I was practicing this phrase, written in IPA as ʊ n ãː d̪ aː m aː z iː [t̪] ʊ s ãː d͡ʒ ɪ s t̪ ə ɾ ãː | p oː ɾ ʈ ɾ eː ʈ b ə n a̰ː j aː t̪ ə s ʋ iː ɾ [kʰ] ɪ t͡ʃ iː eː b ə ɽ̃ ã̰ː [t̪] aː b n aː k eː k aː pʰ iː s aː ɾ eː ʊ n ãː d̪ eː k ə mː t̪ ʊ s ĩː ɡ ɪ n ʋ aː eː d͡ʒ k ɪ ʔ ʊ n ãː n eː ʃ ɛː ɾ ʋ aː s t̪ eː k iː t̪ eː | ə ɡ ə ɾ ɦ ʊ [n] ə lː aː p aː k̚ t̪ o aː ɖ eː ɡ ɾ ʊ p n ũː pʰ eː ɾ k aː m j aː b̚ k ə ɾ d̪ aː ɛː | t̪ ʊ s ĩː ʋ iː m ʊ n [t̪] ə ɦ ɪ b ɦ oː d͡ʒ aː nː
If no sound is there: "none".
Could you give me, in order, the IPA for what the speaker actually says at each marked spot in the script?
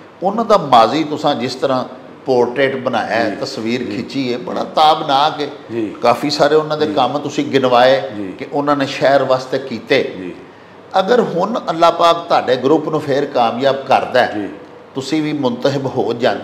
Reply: t̪, kʰ, t̪, n, t̪

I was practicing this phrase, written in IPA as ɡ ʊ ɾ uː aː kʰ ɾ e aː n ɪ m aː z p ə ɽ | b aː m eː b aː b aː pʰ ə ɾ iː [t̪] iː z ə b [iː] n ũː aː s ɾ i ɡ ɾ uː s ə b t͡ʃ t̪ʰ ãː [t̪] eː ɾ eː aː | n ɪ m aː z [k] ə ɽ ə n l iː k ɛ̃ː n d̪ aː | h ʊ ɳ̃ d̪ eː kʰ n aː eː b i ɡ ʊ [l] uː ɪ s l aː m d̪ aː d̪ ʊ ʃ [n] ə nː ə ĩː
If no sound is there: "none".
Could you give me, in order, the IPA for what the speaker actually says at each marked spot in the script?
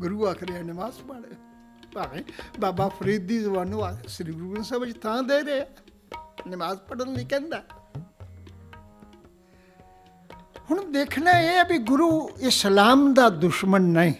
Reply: d̪, aː, d̪, p, ɾ, m

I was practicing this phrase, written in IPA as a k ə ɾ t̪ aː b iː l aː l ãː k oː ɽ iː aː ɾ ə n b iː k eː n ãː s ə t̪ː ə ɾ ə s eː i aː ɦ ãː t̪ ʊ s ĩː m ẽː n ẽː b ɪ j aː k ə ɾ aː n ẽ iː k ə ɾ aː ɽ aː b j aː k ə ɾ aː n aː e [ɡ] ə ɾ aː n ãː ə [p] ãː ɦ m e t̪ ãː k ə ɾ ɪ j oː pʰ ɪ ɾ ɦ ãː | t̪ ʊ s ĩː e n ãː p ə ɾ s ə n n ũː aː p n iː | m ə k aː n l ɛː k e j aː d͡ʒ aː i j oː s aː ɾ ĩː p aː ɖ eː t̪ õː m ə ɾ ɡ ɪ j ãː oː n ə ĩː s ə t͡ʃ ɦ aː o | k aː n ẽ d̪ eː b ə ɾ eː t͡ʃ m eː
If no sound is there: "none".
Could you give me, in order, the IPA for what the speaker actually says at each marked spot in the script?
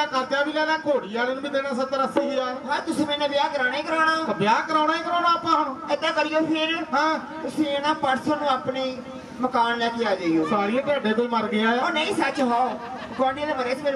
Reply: k, p

